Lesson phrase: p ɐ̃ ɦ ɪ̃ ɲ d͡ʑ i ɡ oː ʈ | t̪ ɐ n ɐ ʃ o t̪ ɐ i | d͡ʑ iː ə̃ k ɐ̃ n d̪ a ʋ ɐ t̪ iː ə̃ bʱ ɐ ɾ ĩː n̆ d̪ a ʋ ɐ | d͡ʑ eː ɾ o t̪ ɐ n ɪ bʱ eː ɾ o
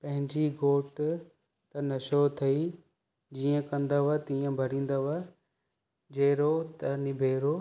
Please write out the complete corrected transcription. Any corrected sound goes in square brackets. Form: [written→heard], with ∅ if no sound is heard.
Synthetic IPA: p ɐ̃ ɦ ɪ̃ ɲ d͡ʑ i ɡ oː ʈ | t̪ ɐ n ɐ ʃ o [t̪→t̪ʰ] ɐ i | d͡ʑ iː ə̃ k ɐ̃ n d̪ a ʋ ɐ t̪ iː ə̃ bʱ ɐ ɾ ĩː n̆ d̪ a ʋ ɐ | d͡ʑ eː ɾ o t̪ ɐ n ɪ bʱ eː ɾ o